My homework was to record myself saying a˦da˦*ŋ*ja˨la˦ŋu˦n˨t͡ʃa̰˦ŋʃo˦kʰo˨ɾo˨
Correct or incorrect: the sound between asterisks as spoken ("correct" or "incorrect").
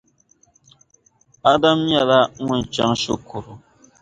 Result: incorrect